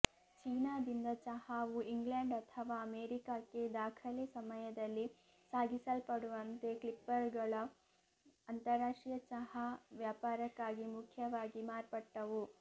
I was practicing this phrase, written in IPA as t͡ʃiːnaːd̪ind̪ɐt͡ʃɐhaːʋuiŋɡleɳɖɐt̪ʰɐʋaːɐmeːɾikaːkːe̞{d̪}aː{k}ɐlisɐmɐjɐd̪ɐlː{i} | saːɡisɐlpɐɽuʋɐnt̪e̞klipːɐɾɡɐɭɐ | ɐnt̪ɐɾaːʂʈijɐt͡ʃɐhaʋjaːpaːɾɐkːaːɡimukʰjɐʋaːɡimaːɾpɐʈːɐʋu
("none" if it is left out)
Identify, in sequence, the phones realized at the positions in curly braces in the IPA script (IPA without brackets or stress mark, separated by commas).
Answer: d̪, kʰ, i